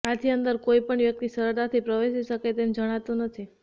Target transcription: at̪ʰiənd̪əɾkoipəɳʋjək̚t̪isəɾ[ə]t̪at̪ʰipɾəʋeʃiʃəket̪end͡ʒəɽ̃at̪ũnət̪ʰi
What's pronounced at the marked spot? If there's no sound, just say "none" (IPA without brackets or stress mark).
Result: ə